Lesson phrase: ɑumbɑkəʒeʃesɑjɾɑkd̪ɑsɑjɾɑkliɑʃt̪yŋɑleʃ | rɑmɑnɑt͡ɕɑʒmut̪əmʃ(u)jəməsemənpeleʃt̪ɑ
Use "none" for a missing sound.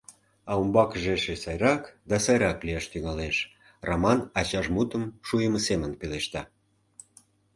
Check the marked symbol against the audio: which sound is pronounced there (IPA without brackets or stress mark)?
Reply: u